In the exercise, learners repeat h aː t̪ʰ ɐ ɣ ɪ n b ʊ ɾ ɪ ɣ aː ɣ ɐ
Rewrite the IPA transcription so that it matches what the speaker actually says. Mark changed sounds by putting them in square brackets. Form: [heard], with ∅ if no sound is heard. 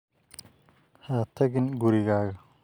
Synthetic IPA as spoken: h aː t̪ʰ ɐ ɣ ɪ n [ɡ] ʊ ɾ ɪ ɣ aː ɣ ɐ